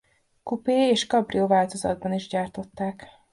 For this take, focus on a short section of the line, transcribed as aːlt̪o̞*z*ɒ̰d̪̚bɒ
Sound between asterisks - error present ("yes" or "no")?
no